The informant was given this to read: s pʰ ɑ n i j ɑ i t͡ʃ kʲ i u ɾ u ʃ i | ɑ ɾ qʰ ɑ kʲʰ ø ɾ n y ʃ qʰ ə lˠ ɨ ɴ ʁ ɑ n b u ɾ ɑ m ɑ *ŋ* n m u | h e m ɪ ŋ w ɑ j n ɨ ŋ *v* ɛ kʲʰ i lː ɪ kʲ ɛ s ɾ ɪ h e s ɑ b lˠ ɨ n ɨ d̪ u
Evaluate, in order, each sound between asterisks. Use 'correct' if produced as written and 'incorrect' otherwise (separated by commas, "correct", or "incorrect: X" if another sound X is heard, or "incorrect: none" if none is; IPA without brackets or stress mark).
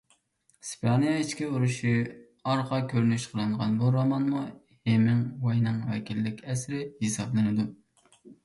incorrect: none, incorrect: w